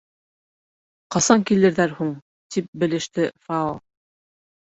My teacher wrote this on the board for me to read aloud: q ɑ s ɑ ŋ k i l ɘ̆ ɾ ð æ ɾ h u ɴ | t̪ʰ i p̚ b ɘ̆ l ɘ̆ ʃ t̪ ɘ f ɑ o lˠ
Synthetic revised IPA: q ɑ s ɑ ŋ k i l ɘ̆ ɾ ð æ ɾ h u ɴ | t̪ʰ i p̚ b ɘ̆ l ɘ̆ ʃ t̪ ɘ f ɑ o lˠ